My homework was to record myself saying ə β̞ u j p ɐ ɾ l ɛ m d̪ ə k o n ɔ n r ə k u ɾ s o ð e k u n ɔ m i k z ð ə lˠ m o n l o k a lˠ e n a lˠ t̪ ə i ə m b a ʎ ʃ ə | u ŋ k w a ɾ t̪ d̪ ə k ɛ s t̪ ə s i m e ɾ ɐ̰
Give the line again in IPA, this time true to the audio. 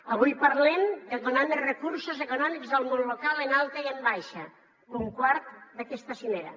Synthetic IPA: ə β̞ u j p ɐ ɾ l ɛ m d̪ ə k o n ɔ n r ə k u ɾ s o z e k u n ɔ m i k z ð ə lˠ m o n l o k a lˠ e n a lˠ t̪ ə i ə m b a j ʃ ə | u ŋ k w a ɾ t̪ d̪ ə k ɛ s t̪ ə s i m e ɾ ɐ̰